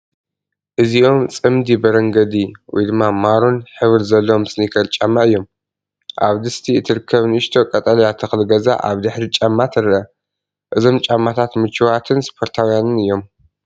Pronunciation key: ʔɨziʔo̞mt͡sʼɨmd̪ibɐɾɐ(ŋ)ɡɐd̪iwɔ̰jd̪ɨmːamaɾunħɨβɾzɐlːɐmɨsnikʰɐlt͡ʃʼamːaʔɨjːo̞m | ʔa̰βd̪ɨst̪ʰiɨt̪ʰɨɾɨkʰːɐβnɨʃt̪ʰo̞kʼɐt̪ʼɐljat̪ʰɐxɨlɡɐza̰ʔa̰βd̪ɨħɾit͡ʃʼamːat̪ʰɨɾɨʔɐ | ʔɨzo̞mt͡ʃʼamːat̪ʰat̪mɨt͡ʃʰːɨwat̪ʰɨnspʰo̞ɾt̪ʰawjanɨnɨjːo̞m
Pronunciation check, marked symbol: correct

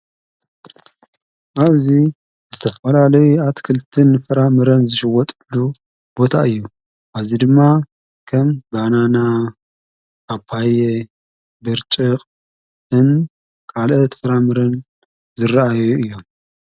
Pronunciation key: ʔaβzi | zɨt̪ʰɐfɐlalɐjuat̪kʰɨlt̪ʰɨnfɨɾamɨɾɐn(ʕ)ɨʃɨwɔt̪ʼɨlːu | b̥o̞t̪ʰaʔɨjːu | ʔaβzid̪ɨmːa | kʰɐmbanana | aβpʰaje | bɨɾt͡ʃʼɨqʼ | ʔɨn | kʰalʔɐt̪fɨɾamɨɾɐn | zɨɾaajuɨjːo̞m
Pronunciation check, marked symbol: incorrect: z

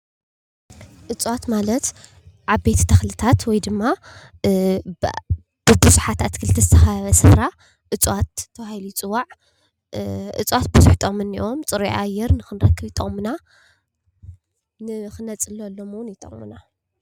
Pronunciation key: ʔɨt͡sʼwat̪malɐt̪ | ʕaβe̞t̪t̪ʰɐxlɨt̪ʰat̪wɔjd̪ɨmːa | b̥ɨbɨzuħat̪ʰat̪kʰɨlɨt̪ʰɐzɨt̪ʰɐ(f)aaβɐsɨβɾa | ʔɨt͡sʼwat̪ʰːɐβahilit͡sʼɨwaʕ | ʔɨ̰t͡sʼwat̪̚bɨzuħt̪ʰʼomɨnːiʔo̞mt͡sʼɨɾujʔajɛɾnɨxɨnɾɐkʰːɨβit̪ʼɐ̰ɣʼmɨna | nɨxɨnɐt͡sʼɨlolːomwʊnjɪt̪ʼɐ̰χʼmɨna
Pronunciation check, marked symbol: incorrect: x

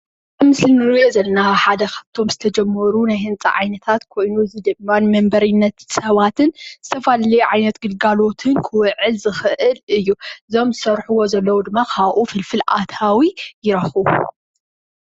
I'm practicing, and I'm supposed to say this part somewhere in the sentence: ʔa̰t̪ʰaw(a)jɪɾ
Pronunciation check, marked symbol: incorrect: i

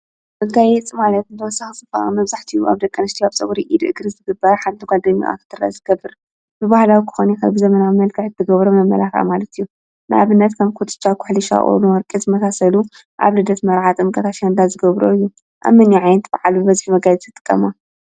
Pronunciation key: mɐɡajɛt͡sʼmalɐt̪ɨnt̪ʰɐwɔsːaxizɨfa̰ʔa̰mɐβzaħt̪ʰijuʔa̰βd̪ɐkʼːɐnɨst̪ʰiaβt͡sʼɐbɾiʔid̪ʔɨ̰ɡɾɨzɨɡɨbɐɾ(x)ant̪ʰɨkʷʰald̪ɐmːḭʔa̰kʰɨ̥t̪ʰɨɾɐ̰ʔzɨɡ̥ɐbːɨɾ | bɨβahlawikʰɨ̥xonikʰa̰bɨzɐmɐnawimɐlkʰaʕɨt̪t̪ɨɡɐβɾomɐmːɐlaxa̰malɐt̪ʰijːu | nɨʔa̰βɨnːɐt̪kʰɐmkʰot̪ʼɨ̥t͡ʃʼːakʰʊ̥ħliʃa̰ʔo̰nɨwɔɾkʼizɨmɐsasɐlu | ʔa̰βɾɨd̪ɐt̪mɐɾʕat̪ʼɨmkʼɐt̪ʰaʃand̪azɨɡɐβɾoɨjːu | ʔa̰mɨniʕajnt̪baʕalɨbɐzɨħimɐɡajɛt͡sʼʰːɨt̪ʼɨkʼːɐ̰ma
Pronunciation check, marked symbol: incorrect: ħ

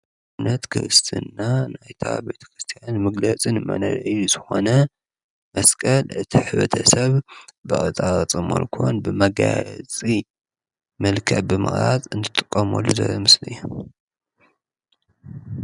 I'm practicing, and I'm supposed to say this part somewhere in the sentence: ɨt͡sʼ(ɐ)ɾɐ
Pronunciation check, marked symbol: incorrect: a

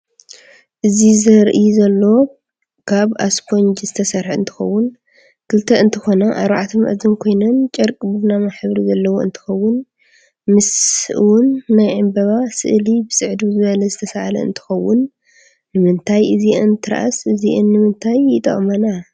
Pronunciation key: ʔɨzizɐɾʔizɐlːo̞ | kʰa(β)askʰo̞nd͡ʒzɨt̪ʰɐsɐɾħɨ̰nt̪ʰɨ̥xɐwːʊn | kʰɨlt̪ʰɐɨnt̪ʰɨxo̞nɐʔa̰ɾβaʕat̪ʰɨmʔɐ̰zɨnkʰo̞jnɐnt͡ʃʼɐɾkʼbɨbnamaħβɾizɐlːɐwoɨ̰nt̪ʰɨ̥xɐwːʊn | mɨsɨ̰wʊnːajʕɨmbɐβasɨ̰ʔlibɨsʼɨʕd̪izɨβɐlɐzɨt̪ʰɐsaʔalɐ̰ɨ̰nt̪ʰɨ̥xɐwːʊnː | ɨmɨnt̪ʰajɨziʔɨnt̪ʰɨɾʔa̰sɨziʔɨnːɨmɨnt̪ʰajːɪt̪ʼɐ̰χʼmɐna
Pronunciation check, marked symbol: correct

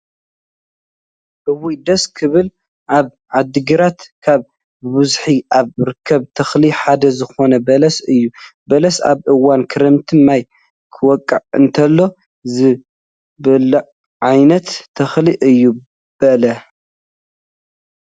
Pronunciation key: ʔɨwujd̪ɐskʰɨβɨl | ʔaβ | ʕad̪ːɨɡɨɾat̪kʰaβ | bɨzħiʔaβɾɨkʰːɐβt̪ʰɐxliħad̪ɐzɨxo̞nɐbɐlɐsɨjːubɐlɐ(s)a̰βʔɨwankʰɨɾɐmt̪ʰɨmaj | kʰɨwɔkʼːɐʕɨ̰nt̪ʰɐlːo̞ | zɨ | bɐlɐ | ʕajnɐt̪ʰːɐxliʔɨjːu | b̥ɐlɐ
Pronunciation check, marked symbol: correct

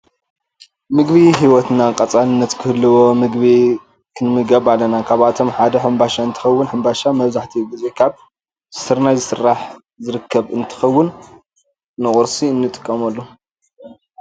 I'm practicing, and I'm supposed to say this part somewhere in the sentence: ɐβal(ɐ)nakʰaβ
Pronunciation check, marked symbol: correct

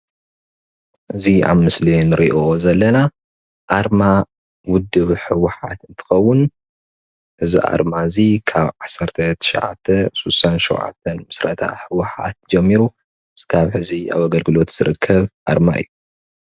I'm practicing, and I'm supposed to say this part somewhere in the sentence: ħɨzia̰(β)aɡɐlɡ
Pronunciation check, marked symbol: correct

